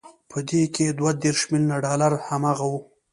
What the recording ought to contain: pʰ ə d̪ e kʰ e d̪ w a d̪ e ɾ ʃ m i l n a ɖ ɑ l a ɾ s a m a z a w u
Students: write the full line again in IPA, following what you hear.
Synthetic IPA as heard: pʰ ə d̪ e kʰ e d̪ w a d̪ e ɾ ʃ m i l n a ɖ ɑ l a ɾ h a m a ɣ a w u